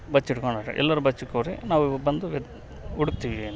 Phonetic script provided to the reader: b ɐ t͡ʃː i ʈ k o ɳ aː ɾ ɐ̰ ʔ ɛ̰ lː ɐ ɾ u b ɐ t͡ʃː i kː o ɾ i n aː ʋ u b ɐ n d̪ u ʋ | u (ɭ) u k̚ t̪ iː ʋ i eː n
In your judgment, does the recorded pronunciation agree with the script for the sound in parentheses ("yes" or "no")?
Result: no